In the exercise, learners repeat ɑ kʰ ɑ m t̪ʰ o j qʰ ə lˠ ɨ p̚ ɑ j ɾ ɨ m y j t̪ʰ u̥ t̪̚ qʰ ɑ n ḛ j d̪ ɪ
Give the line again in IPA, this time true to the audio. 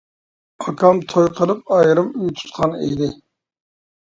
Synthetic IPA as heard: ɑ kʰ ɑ m t̪ʰ o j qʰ ə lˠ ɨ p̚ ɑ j ɾ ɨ m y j t̪ʰ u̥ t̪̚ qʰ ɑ n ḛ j d̪ ɪ